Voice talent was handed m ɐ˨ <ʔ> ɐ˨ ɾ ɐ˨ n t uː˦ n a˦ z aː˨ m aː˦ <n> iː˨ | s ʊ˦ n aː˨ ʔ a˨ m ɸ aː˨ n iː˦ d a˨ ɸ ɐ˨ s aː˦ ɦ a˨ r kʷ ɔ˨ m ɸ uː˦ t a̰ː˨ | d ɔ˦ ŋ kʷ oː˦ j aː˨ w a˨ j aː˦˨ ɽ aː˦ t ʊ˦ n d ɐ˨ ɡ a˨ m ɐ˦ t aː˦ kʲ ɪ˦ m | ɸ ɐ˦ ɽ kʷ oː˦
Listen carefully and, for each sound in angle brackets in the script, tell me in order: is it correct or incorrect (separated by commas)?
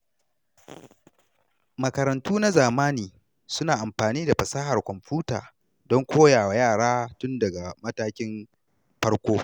incorrect, correct